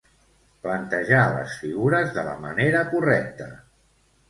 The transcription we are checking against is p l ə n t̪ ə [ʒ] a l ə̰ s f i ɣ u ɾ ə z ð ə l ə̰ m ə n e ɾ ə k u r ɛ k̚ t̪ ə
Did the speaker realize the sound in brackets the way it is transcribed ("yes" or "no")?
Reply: yes